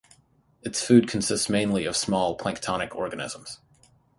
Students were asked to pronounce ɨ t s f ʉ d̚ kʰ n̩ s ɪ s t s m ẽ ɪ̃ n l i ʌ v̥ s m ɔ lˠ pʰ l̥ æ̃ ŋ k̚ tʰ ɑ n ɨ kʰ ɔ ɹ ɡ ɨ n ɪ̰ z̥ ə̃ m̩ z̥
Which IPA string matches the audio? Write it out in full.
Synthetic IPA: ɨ t s f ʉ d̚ kʰ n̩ s ɪ s t s m ẽ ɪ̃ n l i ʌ v̥ s m ɔ lˠ pʰ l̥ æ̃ ŋ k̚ tʰ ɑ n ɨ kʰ ɔ ɹ ɡ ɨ n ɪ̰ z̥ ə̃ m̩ z̥